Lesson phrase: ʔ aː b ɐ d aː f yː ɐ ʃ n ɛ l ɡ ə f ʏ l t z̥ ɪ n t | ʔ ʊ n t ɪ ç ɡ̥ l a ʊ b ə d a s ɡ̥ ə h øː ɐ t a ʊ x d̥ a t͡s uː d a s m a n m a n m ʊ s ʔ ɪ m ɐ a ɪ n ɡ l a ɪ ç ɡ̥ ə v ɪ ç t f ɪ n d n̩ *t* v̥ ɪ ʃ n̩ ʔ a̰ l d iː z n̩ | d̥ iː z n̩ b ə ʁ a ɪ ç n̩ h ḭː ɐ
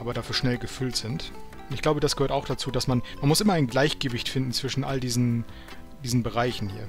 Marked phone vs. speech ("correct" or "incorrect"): incorrect